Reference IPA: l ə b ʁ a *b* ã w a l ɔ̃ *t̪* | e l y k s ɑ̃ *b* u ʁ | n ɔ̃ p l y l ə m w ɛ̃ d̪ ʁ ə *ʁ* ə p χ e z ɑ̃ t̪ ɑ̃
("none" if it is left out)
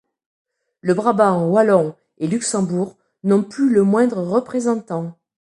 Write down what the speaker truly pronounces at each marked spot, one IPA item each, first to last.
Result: b, none, b, ʁ

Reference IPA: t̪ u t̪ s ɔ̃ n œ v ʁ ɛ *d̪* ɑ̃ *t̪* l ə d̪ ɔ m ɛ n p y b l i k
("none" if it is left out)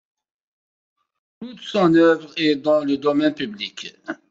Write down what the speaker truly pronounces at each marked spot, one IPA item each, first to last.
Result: d̪, none

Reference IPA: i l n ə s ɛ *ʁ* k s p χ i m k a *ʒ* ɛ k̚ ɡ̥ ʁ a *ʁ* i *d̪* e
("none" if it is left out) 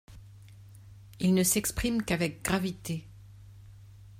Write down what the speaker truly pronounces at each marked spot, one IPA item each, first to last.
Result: none, v, v, t̪

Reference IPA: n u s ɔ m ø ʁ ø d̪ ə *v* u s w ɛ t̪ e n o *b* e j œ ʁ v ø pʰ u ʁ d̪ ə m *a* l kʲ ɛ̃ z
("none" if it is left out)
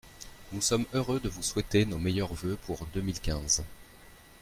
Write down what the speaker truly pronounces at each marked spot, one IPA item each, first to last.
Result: v, m, i

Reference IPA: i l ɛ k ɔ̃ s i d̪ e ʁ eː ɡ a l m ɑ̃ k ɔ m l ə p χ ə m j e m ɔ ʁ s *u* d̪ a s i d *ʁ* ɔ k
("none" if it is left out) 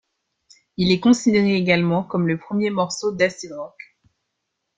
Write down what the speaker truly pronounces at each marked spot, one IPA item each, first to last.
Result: o, ʁ

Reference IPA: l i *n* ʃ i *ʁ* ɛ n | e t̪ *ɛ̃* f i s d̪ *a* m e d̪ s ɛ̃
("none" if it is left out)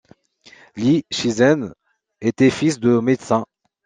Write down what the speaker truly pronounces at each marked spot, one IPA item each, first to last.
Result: none, z, ɛ, ə

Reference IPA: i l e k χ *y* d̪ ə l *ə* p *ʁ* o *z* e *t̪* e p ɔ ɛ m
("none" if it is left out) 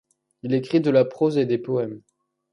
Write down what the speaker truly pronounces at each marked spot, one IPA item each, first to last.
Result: i, a, χ, z, d̪

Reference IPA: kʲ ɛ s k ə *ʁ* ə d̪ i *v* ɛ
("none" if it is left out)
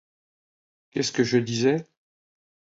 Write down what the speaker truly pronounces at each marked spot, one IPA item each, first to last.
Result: ʒ, z

